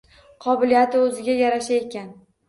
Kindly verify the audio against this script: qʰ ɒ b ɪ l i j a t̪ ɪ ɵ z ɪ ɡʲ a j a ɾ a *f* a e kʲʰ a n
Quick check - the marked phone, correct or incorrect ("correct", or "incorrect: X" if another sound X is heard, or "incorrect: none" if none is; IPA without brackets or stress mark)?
incorrect: ʃ